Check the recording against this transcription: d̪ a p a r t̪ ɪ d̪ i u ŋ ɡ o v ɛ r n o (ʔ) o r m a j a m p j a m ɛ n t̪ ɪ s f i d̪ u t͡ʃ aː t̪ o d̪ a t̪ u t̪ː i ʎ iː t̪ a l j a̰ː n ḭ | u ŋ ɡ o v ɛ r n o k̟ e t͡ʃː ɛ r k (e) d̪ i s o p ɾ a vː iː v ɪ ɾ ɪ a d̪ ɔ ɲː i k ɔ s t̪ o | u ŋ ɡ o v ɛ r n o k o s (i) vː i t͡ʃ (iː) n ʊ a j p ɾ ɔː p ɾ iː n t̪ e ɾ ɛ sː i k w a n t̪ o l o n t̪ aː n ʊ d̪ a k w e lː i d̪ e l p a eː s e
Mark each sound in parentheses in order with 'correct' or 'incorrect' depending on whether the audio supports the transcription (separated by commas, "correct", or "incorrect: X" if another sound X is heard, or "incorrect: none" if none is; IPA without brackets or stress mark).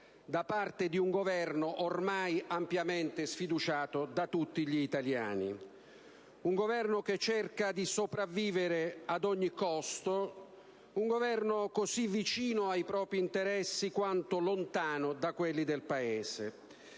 correct, incorrect: a, correct, correct